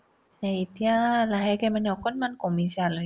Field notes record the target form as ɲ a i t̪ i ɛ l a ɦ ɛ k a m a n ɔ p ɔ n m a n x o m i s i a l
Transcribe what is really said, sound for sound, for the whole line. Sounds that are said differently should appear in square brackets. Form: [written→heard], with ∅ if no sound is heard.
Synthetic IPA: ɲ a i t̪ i [ɛ→a] l a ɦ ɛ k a m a n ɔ [p→k] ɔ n m a n [x→k] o m i s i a l

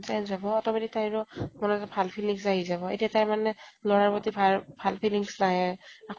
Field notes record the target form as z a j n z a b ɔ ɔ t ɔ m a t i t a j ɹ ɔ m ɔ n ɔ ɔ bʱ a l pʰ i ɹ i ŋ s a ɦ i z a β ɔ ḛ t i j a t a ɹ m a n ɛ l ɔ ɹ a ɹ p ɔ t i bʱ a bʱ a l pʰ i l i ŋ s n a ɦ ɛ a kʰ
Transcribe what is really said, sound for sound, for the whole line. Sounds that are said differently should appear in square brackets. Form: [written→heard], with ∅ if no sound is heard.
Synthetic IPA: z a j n z a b ɔ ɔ t ɔ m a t i t a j ɹ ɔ m ɔ n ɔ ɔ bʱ a l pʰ i [ɹ→l] i ŋ s a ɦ i z a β ɔ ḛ t i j a t a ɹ m a n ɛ l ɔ ɹ a ɹ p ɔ t i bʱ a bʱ a l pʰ i l i ŋ s n a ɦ ɛ a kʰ

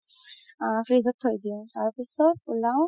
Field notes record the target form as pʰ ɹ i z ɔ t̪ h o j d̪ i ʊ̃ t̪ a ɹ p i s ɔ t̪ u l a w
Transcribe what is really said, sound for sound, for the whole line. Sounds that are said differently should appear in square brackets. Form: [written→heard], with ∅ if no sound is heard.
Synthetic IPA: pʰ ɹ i z ɔ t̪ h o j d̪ i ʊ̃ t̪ a ɹ p i s ɔ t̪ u l a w

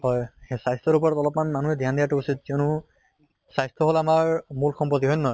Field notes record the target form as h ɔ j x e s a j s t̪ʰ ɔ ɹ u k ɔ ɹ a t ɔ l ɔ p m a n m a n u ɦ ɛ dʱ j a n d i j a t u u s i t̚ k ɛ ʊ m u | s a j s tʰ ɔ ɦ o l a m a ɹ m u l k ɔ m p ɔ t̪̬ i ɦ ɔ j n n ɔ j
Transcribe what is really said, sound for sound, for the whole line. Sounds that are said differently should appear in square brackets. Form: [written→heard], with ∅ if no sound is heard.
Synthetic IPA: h ɔ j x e s a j s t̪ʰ ɔ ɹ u [k→p] ɔ ɹ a t ɔ l ɔ p m a n m a n u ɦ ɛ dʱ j a n d i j a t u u s i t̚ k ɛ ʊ [m→n] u | s a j s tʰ ɔ ɦ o l a m a ɹ m u l [k→x] ɔ m p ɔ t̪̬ i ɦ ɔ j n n ɔ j

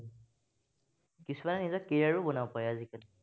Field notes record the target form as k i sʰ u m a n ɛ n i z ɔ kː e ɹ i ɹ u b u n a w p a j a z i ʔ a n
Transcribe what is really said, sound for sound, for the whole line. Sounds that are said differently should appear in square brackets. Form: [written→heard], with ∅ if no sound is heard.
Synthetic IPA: k i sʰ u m a n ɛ n i z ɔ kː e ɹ [i→a] ɹ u b [u→ɔ] n a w p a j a z i [ʔ→k] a n

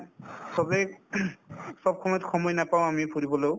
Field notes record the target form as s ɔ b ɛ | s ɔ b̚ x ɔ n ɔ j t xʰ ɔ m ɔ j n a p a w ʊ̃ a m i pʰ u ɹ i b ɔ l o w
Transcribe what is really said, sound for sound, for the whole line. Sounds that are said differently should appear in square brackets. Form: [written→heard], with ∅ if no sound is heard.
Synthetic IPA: s ɔ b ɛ | s ɔ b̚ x ɔ [n→m] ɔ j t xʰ ɔ m ɔ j n a p a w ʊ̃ a m i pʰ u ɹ i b ɔ l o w

